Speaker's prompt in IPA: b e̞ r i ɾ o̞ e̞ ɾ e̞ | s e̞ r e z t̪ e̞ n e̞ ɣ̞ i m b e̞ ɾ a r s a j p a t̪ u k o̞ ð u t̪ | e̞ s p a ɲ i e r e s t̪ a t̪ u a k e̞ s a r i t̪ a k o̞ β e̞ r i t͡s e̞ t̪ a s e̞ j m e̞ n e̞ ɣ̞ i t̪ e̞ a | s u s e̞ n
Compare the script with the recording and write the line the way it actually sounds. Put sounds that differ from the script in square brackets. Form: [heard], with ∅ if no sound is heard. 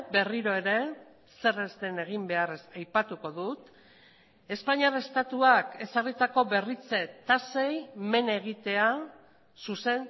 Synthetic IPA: b e̞ r i ɾ o̞ e̞ ɾ e̞ | s e̞ r e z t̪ e̞ n e̞ ɣ̞ i m b e̞ [∅] a r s a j p a t̪ u k o̞ ð u t̪ | e̞ s p a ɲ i [a] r e s t̪ a t̪ u a k e̞ s a r i t̪ a k o̞ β e̞ r i t͡s e̞ t̪ a s e̞ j m e̞ n e̞ ɣ̞ i t̪ e̞ a | s u s e̞ n